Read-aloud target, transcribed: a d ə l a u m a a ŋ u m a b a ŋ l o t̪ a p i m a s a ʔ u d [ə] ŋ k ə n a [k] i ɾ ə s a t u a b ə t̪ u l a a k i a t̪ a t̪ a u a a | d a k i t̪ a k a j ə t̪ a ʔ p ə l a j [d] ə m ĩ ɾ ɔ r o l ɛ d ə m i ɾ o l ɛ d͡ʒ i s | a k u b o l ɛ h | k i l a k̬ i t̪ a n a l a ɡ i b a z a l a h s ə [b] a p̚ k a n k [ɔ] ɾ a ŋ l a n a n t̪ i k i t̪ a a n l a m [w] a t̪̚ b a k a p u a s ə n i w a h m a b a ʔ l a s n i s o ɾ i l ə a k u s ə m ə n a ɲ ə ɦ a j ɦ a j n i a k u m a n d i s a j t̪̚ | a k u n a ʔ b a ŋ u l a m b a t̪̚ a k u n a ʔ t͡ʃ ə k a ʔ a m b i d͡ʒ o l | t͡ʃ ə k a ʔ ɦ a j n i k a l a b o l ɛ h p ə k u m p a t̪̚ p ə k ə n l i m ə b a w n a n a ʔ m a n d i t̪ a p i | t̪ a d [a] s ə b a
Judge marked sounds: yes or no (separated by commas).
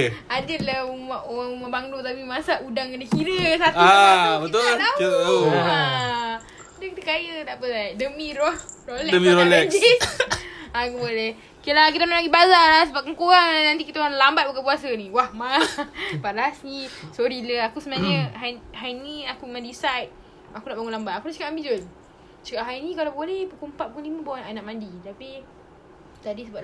no, yes, yes, yes, no, no, no